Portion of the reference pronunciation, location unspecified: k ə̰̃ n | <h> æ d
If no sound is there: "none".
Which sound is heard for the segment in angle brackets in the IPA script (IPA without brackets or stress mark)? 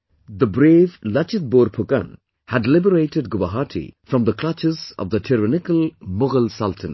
h